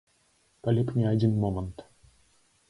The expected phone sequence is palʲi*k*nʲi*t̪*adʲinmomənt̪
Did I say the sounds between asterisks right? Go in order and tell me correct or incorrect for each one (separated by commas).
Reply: incorrect, incorrect